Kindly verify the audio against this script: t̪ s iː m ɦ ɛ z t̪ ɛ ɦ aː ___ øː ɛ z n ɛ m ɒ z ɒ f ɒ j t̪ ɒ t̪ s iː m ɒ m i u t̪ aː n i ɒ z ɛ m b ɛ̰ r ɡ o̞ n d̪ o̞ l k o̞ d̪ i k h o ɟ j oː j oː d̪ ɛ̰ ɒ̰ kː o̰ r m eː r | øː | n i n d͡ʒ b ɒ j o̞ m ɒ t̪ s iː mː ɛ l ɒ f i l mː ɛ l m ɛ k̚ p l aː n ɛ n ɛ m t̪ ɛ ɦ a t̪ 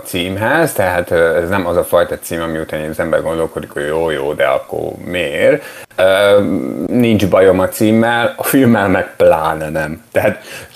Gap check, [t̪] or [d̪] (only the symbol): t̪